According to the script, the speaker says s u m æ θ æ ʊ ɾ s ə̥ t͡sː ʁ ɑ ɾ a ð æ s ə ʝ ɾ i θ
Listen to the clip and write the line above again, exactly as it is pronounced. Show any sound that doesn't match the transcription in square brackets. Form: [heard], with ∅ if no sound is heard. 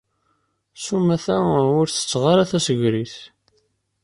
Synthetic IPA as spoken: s u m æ θ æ ʊ ɾ [θ] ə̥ t͡sː ʁ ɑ ɾ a [θ] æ s ə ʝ ɾ i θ